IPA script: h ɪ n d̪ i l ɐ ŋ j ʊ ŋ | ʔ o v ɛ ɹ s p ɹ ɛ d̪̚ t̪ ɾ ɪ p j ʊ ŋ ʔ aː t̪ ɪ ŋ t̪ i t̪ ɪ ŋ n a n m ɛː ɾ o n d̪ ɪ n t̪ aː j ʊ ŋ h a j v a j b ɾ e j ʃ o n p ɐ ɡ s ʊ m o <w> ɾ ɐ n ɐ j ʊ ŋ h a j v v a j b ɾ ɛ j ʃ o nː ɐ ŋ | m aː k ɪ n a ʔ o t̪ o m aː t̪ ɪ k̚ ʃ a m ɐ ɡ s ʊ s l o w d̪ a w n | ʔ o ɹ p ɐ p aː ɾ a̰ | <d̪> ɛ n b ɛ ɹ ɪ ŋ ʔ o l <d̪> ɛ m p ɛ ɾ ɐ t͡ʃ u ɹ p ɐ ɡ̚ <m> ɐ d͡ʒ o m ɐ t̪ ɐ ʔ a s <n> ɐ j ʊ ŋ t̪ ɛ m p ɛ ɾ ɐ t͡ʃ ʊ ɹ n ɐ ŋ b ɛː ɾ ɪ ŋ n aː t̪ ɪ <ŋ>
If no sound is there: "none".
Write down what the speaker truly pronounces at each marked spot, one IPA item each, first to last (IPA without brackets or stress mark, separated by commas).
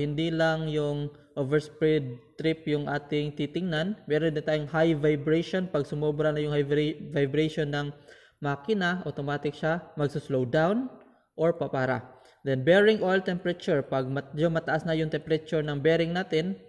b, d̪, t̪, m, n, n